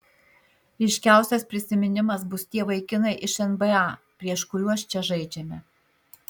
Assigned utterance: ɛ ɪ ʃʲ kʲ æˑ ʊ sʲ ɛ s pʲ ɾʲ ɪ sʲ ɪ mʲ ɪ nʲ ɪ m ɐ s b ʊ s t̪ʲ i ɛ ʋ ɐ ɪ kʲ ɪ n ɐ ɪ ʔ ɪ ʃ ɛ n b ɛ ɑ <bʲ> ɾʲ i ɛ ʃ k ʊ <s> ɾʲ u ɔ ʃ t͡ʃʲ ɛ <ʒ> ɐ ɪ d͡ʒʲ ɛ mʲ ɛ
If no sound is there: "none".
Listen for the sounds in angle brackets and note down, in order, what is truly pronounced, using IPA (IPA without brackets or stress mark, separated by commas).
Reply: pʲ, none, ʒ